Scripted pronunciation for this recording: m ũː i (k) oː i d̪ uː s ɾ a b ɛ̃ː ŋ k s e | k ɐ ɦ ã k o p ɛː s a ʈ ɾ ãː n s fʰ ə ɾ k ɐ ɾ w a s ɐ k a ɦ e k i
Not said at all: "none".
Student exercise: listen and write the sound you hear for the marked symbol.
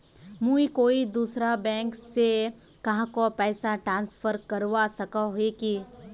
k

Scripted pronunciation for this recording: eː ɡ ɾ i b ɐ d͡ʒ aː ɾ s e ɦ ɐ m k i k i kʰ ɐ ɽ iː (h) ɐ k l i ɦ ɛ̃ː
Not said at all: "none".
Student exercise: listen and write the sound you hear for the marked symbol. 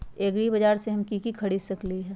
s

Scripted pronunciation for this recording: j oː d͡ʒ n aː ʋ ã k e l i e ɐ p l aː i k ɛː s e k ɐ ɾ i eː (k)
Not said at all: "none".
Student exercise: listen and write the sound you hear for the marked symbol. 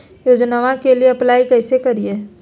none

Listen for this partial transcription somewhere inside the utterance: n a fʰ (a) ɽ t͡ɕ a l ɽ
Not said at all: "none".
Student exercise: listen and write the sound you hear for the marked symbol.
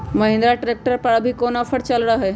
ə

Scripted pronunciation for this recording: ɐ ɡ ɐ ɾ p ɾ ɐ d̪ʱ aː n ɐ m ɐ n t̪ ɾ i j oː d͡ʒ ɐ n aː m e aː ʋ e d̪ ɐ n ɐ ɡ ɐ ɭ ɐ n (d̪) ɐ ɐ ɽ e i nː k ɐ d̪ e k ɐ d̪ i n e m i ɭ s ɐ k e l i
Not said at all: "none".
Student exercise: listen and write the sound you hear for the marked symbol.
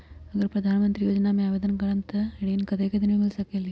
t̪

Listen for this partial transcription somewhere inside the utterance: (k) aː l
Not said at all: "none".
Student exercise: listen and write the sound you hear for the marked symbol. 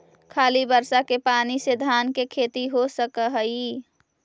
kʰ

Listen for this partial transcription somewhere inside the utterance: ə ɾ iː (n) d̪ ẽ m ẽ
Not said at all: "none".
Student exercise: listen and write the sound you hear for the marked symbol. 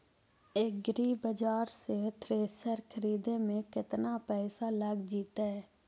none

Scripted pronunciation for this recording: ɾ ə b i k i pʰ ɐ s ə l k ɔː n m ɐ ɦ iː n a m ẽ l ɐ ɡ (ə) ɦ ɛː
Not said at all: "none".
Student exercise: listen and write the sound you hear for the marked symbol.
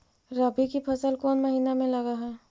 a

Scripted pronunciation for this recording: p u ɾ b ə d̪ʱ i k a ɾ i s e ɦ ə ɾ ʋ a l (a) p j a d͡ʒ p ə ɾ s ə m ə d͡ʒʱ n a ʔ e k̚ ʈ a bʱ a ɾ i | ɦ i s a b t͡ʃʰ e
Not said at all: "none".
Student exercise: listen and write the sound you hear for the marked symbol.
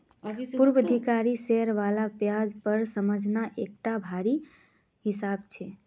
a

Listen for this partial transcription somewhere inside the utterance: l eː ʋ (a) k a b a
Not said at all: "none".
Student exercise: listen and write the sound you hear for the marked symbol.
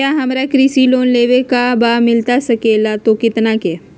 e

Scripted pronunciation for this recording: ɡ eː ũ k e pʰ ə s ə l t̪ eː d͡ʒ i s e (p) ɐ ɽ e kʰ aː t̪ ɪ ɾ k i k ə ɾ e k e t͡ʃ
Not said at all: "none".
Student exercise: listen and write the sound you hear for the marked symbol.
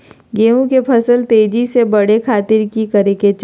b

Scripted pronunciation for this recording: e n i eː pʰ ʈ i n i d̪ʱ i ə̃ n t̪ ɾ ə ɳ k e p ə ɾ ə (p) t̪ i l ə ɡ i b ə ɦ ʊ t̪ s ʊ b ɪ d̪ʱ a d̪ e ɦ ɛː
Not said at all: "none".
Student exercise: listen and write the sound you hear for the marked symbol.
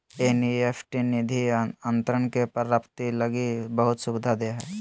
p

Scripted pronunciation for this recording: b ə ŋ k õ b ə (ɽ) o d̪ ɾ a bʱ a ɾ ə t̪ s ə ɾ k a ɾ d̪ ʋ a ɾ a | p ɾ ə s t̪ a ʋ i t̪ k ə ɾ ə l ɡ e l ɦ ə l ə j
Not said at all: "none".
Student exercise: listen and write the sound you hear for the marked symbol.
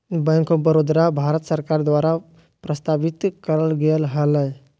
ɾ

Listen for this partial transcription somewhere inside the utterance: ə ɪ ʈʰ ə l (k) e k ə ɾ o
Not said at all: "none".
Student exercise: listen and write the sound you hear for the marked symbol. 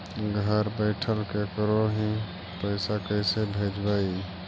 k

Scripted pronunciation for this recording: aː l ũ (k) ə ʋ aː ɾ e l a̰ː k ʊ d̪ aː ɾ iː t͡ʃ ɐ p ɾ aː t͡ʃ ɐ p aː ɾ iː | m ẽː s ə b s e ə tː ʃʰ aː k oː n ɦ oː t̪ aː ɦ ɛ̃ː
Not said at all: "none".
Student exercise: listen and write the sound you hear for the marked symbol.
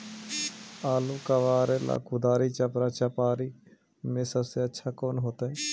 k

